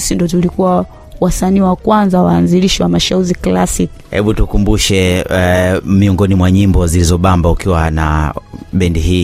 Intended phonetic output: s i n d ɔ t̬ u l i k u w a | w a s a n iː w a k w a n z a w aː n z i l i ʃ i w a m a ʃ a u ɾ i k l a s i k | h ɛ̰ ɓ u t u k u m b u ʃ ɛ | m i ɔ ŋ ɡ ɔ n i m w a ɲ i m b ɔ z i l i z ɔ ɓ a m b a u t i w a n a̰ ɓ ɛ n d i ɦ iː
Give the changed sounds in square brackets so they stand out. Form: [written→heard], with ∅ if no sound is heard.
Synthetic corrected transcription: s i n d ɔ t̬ u l i k u w a | w a s a n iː w a k w a n z a w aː n z i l i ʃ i w a m a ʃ a u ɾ i k l a s i k | h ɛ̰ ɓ u t u k u m b u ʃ ɛ | m i ɔ ŋ ɡ ɔ n i m w a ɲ i m b ɔ z i l i z ɔ ɓ a m b a u [t→k] i w a n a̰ ɓ ɛ n d i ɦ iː